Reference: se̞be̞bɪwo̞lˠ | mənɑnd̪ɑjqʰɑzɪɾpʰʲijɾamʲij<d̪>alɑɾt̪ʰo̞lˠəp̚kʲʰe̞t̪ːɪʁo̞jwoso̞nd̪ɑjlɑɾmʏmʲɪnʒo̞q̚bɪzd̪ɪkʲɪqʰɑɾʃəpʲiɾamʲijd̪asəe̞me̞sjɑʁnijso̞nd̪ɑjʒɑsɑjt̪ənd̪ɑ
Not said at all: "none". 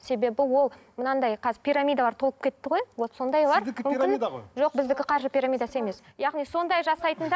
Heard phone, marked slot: d̪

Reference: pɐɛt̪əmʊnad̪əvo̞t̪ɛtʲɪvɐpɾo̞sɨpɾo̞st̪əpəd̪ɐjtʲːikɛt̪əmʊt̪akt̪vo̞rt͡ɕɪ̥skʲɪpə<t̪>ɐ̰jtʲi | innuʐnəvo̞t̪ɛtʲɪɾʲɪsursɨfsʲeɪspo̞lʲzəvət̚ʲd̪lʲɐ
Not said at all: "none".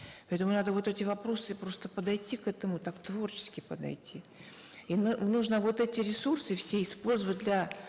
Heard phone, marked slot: d̪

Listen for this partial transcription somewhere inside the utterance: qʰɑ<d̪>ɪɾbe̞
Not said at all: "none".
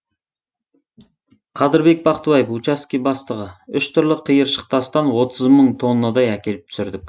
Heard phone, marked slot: d̪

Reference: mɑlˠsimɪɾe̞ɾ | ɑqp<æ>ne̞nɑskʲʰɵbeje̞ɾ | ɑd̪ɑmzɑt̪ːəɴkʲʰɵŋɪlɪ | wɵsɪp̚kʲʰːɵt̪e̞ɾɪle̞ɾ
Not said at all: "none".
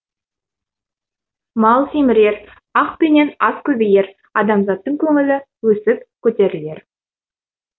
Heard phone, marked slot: e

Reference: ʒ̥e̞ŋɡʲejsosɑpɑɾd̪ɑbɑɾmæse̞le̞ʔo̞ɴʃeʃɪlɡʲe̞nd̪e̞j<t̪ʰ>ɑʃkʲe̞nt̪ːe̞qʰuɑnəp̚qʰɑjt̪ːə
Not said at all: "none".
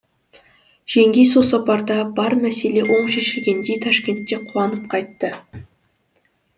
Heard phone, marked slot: t̪ʰ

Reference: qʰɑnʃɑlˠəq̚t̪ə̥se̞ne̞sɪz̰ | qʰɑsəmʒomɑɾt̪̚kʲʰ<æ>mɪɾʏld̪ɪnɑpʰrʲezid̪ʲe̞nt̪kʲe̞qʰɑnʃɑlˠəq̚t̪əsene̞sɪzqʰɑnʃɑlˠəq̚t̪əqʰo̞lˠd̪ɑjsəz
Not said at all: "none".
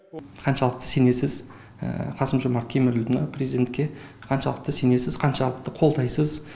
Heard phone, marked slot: e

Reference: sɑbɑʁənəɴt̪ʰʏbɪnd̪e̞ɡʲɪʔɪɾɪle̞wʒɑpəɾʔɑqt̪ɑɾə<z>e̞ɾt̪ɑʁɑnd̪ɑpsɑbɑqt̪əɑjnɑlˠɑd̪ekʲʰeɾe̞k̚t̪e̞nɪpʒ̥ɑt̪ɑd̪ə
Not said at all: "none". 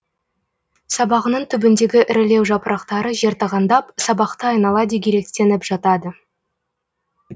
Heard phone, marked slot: ʒ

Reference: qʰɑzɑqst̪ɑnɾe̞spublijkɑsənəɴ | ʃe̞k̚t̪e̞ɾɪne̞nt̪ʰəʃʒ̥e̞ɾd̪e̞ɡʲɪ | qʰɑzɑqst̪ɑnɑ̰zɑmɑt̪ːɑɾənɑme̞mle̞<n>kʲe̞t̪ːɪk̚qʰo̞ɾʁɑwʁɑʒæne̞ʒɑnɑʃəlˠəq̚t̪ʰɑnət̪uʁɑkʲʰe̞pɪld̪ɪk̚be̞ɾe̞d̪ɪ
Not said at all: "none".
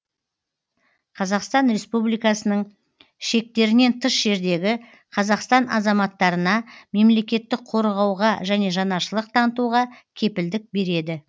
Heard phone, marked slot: none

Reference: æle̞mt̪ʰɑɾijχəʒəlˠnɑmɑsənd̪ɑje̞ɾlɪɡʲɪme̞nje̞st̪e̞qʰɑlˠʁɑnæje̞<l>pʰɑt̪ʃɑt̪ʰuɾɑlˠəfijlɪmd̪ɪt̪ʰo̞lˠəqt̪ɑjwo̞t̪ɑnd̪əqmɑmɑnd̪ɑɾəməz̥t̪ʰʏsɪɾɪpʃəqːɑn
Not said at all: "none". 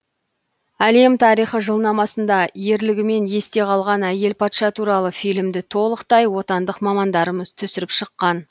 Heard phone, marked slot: l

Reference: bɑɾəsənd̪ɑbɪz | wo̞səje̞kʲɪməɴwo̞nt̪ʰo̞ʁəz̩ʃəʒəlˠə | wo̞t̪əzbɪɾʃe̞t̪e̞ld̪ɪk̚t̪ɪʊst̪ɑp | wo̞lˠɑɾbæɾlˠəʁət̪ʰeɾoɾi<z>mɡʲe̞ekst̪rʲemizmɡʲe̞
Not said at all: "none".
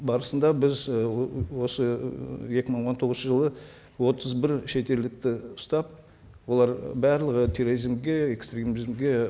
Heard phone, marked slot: z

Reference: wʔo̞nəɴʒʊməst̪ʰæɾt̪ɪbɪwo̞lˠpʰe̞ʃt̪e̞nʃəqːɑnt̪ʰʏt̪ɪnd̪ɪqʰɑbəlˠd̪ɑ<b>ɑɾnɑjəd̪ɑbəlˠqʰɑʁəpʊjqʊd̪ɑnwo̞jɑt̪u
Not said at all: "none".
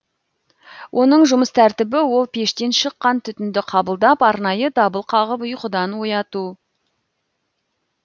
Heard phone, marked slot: p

